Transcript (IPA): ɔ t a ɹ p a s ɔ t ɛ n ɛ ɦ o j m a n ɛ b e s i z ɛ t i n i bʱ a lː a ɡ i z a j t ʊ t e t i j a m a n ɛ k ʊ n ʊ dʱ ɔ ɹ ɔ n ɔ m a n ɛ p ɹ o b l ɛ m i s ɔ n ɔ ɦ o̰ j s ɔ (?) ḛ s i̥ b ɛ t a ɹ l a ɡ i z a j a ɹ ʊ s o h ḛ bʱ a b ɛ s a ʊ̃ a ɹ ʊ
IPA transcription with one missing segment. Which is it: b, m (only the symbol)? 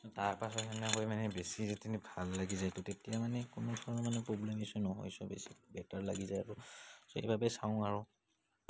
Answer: b